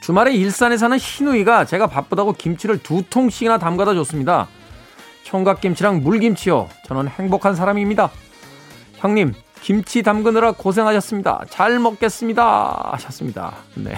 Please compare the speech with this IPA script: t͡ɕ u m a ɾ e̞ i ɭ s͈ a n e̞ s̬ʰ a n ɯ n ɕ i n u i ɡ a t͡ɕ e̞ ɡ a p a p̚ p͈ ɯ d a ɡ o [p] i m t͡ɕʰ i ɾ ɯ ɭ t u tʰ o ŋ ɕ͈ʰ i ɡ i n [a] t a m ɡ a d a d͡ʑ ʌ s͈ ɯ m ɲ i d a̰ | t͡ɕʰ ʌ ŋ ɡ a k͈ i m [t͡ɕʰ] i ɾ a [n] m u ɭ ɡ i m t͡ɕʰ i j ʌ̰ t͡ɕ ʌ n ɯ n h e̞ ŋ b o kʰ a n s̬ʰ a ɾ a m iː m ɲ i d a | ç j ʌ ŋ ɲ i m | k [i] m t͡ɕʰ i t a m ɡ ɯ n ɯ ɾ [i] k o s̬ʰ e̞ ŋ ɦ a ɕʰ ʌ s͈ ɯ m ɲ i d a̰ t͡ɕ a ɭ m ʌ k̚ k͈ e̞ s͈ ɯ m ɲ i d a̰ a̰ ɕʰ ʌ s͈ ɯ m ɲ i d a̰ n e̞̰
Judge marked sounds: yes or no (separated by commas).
no, yes, yes, no, yes, no